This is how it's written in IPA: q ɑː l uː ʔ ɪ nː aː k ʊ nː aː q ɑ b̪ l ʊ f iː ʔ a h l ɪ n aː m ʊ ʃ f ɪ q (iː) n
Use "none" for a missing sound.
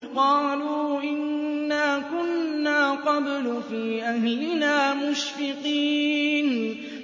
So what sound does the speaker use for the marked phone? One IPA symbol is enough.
iː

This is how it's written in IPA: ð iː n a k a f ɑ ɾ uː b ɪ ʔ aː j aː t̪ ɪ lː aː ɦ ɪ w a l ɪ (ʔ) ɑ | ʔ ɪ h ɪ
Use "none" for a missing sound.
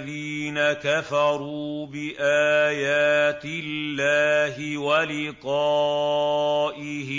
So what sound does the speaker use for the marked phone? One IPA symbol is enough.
q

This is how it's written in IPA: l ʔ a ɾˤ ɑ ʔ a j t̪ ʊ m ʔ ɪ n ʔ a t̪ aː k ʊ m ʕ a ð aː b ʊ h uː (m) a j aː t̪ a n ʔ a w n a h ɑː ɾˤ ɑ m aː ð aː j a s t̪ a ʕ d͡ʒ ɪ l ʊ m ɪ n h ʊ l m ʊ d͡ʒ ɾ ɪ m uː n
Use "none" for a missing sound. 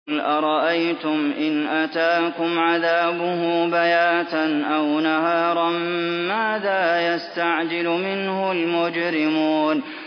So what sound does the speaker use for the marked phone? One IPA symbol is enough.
b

